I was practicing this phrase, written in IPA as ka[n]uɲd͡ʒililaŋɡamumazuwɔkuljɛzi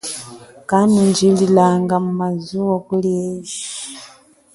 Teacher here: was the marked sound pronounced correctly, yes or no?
yes